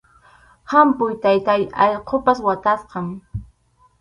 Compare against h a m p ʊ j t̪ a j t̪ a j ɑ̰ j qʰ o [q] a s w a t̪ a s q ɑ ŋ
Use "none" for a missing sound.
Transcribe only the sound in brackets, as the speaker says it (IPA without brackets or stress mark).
p